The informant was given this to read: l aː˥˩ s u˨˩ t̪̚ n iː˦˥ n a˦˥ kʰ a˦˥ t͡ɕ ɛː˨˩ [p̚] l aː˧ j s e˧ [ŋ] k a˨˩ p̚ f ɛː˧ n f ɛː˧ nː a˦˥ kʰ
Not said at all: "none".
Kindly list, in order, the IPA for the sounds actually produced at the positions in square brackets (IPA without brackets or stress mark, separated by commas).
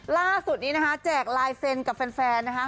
k̚, n